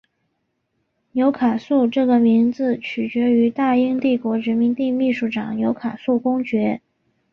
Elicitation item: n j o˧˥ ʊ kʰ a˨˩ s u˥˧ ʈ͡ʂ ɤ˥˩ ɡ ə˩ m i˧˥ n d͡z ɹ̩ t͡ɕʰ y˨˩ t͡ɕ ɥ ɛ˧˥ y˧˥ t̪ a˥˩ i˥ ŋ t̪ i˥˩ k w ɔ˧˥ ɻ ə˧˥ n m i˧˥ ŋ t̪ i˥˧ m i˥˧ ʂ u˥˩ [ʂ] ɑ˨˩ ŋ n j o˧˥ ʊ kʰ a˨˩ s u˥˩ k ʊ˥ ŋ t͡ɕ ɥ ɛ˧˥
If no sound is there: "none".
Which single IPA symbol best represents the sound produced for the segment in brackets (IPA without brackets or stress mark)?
ʈ͡ʂ